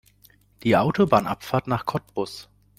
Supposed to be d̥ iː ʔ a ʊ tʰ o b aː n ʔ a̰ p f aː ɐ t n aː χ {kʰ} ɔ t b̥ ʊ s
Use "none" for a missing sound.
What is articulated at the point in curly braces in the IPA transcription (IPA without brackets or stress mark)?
kʰ